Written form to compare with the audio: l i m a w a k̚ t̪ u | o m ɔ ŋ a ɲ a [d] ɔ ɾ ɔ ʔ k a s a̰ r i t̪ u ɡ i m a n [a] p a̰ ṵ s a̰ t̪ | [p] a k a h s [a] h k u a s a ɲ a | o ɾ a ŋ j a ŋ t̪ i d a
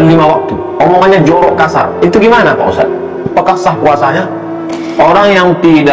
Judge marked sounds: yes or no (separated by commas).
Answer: no, yes, yes, yes